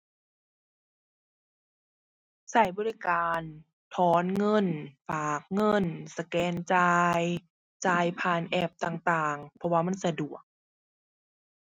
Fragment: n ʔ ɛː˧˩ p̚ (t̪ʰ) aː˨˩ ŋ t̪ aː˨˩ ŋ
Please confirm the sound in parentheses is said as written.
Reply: no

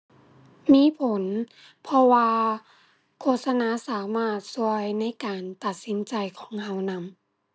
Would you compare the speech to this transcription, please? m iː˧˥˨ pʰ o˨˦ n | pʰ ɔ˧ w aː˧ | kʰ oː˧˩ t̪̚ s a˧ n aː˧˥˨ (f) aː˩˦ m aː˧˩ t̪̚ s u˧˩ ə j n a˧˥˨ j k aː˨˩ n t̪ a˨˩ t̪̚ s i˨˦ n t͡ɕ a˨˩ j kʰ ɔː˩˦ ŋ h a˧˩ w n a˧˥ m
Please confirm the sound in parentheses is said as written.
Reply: no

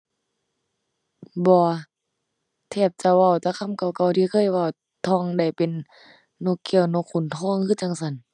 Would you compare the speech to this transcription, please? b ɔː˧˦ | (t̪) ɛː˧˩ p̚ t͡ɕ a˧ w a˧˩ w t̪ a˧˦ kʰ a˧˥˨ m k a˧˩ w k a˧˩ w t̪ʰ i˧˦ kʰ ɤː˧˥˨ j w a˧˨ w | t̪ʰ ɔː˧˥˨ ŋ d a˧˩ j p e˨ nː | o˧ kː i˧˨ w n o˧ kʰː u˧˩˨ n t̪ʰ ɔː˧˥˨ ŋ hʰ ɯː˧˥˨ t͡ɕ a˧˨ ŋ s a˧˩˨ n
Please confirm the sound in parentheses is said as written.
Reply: no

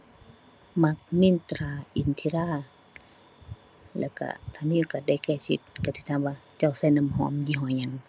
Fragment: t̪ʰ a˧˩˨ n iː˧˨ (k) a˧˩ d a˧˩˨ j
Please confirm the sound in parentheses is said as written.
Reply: yes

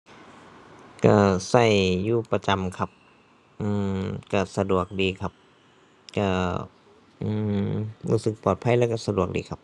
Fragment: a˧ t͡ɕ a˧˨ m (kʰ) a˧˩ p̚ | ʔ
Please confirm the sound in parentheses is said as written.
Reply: yes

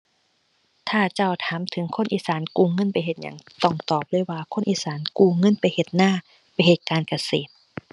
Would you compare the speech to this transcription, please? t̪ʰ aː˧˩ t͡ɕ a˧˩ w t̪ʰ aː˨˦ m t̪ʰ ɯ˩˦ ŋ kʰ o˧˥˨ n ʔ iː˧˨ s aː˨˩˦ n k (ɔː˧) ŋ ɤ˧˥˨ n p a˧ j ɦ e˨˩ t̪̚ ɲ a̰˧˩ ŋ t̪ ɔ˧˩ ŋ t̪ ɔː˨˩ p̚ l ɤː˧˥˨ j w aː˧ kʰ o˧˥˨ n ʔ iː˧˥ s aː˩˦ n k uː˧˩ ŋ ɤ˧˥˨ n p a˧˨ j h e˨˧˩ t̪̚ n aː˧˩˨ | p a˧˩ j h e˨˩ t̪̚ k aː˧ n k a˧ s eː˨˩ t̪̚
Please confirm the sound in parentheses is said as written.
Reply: no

